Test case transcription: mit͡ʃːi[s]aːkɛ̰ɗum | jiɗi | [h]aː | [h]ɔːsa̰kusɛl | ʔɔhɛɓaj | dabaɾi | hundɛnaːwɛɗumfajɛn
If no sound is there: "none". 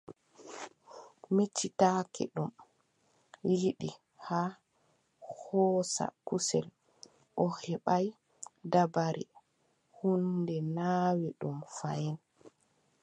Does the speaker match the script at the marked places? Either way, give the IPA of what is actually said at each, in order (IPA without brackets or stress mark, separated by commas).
t, h, h